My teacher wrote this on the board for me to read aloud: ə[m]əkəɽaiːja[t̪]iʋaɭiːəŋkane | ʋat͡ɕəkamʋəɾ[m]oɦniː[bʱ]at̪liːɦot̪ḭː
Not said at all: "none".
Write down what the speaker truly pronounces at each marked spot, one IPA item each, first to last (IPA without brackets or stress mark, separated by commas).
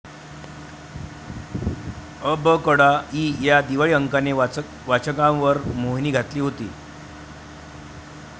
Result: b, d̪, m, ɡʱ